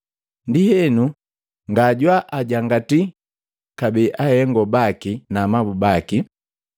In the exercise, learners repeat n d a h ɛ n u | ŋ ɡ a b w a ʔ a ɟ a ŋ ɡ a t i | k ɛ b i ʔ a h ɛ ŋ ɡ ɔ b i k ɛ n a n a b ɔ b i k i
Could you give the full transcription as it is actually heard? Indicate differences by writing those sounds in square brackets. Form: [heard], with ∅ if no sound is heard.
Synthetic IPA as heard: n d [i] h ɛ n u | ŋ ɡ a [ɟ] w a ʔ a ɟ a ŋ ɡ a t i | k [a] b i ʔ a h ɛ ŋ ɡ ɔ b [a] k [i] n a [m] a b [u] b [a] k i